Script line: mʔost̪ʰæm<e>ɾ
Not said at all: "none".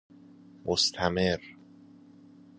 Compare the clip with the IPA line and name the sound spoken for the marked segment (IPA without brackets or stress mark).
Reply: e